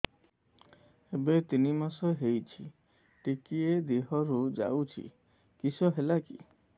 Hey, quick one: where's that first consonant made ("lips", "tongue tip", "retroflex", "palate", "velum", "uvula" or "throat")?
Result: lips